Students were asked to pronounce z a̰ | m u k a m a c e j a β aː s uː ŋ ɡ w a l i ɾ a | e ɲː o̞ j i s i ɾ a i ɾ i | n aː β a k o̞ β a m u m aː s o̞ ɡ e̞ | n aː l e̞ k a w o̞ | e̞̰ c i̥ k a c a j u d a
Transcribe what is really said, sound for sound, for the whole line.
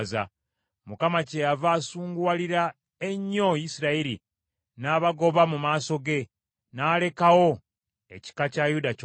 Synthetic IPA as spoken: z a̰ | m u k a m a c e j a v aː s uː ŋ ɡ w a l i ɾ a | e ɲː o̞ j i s i ɾ a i ɾ i | n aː β a ɡ o̞ β a m u m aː s o̞ ɡ e̞ | n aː l e̞ k a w o̞ | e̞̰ c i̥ k a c a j u d a